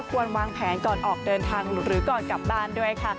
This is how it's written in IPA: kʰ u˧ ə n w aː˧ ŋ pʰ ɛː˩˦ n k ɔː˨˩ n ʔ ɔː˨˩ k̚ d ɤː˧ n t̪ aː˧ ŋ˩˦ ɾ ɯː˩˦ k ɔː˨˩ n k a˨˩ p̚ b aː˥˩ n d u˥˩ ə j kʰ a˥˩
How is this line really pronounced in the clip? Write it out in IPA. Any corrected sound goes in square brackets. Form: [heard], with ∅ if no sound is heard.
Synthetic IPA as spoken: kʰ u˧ ə n w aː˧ ŋ pʰ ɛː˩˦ n k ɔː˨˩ n ʔ ɔː˨˩ k̚ d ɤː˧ n [t̪ʰ] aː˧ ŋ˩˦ ɾ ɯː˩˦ k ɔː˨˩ n k a˨˩ p̚ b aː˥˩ n d u˥˩ ə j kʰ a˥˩